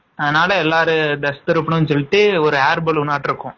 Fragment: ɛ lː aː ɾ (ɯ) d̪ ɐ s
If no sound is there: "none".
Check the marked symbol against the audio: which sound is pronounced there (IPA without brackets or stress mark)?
ɯ